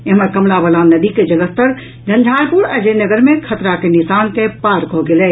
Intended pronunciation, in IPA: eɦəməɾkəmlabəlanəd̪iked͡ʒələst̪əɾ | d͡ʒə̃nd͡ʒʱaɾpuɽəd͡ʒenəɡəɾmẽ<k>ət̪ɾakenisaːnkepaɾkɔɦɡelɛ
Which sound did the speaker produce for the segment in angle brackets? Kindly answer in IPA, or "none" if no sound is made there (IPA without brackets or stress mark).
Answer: kʰ